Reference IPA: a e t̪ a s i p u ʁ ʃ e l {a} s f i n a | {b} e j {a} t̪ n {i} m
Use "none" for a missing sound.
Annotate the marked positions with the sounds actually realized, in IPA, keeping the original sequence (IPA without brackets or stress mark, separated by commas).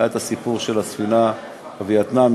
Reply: a, v, a, a